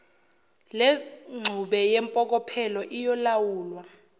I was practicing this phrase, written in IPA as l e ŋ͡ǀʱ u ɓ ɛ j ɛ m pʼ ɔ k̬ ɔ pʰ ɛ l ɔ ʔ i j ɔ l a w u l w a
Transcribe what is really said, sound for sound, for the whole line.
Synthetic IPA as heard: l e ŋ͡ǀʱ u ɓ ɛ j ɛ m pʼ ɔ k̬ ɔ pʰ ɛ l ɔ ʔ i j ɔ l a w uː l w a